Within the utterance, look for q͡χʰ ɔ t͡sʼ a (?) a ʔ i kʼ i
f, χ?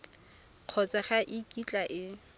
χ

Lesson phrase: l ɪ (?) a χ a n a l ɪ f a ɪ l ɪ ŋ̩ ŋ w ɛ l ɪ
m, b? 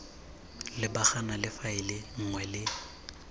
b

